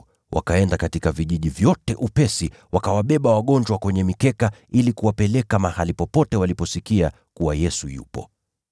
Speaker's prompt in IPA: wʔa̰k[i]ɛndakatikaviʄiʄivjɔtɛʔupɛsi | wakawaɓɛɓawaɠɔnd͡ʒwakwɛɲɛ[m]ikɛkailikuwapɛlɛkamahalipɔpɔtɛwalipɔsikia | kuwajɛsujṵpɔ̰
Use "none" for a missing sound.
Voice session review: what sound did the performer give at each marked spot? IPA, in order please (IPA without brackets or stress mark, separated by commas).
a, m